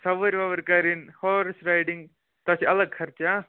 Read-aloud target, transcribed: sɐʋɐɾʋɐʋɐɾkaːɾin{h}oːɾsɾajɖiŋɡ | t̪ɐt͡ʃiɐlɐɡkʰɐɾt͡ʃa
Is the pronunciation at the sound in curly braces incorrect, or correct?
correct